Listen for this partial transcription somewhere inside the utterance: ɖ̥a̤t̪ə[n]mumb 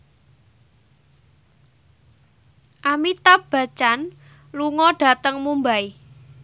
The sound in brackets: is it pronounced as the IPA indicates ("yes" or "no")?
no